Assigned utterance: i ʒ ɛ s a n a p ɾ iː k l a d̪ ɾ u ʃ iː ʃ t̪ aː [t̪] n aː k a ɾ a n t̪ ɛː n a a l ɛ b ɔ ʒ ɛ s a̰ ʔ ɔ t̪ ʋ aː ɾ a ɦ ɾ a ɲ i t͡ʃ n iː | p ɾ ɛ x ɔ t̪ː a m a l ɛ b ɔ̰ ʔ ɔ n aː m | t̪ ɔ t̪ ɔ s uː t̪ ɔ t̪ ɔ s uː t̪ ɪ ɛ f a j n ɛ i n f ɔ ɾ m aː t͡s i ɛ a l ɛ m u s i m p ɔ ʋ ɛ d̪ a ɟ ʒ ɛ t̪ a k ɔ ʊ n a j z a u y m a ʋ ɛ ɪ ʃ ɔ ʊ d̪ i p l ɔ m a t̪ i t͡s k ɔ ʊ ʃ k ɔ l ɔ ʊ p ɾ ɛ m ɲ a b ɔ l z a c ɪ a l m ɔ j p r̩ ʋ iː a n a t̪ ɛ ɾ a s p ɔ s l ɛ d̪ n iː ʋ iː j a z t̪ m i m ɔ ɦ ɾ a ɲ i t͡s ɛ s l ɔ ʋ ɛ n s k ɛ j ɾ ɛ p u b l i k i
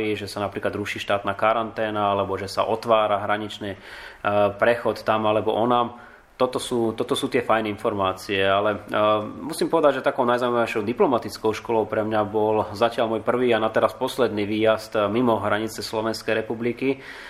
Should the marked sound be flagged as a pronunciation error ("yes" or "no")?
no